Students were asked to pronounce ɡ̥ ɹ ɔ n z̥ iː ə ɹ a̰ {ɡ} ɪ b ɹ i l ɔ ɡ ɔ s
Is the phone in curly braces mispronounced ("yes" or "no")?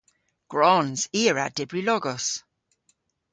yes